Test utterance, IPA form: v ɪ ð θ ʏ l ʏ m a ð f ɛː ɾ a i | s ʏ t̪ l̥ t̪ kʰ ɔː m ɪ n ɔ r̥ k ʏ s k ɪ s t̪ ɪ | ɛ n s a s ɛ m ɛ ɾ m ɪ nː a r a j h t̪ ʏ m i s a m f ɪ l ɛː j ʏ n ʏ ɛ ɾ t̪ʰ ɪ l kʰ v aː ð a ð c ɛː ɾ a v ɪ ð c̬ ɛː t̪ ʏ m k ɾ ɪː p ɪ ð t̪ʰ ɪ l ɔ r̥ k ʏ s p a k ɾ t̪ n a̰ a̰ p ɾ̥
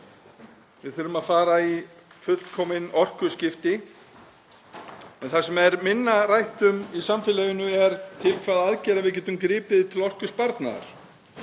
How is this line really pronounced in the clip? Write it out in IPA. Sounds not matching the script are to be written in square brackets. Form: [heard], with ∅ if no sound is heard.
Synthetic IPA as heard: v ɪ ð θ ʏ [ɾ] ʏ m a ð f [aː] ɾ a i | [f] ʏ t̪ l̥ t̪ kʰ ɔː m ɪ n ɔ r̥ k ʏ s [c] ɪ [f] t̪ ɪ | ɛ n [θ] a s ɛ m ɛ ɾ m ɪ nː a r a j h t̪ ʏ m i s a m f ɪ l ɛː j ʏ n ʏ ɛ ɾ t̪ʰ ɪ l kʰ v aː ð a ð c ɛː ɾ a v ɪ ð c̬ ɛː t̪ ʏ m k ɾ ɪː p ɪ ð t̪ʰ ɪ l ɔ r̥ k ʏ s p a [∅] ɾ t̪ n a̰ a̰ [∅] ɾ̥